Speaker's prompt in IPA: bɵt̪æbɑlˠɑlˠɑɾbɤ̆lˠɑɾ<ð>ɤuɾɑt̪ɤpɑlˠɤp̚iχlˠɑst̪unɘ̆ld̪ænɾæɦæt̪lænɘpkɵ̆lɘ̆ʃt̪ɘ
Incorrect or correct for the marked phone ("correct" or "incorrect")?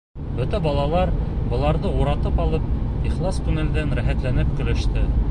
correct